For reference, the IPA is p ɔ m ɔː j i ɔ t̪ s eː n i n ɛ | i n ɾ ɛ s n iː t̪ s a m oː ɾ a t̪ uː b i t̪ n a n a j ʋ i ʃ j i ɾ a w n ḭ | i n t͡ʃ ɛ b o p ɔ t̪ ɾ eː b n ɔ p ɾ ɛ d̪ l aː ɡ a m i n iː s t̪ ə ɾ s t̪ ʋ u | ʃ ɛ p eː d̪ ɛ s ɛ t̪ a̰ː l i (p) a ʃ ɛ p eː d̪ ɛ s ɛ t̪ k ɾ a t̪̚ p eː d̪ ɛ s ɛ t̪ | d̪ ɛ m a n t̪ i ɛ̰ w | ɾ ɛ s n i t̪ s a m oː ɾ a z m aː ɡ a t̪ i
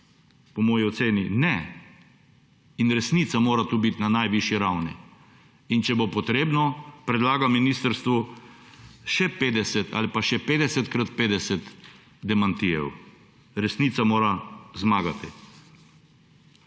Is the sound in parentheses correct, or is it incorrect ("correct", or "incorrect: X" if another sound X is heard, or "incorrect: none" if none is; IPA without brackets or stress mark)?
correct